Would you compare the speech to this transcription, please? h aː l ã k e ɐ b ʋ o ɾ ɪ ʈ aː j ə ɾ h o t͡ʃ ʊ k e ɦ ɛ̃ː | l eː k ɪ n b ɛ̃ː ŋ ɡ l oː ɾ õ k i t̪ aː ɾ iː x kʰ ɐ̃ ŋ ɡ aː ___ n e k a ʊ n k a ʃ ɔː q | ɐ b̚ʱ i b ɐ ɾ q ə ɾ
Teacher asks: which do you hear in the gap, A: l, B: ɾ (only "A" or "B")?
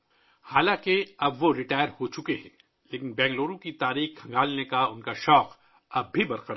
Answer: A